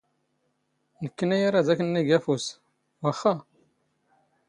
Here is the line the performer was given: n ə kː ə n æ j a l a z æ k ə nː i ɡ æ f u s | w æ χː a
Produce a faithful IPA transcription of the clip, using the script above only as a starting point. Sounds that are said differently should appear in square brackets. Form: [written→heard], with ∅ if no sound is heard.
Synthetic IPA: n ə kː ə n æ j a [l→ɾ] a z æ k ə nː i ɡ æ f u s | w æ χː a